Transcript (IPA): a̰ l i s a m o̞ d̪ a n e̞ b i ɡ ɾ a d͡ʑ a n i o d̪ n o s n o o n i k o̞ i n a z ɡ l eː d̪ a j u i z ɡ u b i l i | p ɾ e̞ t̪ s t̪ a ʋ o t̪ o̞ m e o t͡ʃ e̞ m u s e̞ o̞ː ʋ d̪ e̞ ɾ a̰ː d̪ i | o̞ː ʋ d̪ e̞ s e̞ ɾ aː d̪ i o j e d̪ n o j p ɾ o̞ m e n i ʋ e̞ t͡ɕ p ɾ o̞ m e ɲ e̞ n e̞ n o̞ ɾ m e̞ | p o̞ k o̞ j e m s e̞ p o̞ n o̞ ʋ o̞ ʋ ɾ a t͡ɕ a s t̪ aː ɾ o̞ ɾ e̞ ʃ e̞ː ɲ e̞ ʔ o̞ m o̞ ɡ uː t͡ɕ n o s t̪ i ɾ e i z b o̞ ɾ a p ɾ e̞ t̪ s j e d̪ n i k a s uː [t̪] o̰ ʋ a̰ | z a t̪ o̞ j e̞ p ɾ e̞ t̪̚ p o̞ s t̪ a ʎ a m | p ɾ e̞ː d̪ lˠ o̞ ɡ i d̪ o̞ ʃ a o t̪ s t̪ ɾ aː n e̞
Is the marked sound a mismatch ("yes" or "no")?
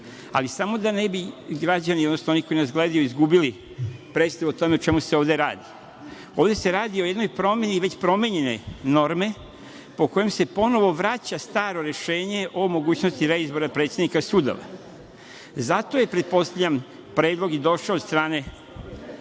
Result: yes